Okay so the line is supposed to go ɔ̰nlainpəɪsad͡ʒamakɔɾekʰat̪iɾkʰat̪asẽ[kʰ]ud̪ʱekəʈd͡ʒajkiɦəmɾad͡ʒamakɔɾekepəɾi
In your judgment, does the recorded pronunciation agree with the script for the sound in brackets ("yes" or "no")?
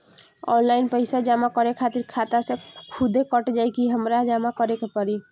yes